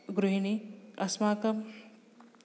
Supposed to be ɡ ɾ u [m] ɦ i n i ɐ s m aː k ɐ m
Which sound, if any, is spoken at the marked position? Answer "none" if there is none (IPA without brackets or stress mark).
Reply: none